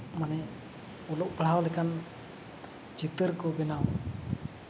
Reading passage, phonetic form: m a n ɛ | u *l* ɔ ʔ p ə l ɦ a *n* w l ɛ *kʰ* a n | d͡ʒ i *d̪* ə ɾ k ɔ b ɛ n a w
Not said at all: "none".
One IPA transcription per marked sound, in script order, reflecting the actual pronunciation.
l, none, k, t̪

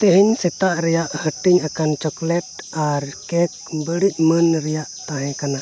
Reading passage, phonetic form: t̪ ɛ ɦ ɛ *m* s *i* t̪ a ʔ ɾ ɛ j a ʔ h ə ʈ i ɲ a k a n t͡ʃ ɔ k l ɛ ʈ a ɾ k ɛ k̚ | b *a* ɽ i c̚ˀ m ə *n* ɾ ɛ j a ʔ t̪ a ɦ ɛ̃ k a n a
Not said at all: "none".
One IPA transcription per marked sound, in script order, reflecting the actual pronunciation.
ɲ, ɛ, ə, n

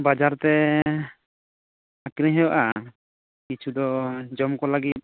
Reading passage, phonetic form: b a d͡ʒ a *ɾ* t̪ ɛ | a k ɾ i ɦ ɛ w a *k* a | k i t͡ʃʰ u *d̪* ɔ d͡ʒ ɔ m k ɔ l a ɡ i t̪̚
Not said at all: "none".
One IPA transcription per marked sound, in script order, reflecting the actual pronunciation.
ɾ, ʔ, d̪

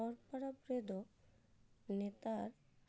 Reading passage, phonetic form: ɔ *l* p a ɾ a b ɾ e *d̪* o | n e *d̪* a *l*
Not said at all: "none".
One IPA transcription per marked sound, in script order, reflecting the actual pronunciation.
ɾ, d̪, t̪, ɾ

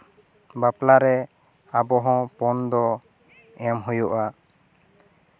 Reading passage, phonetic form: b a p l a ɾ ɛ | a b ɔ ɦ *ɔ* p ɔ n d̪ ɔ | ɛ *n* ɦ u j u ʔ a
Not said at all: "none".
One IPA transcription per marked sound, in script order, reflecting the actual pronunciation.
ɔ̃, m

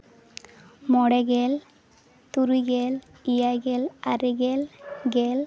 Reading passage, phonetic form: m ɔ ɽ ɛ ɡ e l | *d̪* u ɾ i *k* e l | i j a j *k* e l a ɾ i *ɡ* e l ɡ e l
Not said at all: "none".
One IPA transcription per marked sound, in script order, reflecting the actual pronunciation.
t̪, ɡ, ɡ, ɡ

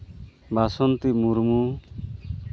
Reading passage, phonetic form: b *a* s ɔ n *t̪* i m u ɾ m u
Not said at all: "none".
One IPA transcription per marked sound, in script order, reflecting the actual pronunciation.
a, t̪

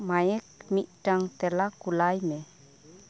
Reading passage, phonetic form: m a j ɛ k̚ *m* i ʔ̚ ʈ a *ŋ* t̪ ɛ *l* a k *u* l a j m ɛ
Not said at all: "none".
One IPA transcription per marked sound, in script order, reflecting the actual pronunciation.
m, ŋ, l, u

